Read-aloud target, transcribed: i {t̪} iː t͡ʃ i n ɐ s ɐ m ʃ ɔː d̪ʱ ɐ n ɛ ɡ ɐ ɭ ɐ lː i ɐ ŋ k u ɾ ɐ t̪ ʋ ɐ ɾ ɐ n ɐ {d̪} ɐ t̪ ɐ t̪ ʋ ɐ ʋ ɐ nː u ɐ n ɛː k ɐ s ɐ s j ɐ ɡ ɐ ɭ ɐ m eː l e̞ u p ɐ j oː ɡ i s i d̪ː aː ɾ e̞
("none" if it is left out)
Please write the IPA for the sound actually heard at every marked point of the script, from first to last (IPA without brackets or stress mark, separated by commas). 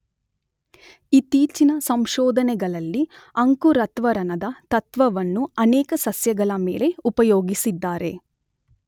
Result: t̪, d̪